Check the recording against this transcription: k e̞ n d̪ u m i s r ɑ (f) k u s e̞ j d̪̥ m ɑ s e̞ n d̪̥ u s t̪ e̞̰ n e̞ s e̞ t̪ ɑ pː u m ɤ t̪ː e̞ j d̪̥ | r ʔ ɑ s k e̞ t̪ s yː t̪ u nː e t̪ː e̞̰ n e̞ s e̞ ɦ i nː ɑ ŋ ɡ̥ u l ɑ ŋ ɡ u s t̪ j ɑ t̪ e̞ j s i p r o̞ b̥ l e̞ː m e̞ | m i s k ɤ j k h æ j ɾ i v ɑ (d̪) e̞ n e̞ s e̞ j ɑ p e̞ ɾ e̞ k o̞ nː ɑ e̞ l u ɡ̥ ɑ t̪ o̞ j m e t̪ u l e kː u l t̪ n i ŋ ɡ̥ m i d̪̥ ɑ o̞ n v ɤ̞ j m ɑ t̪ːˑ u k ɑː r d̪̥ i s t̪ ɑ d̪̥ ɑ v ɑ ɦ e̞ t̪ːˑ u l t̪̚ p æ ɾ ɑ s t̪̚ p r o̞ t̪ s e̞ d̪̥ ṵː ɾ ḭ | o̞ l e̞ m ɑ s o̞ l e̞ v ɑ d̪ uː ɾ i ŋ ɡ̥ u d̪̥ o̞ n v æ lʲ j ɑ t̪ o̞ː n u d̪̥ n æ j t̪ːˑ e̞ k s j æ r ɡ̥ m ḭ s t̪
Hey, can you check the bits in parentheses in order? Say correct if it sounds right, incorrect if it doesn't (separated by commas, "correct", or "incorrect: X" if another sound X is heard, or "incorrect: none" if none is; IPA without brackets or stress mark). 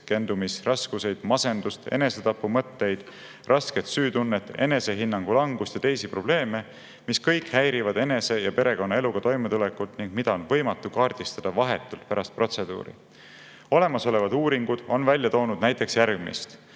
incorrect: s, correct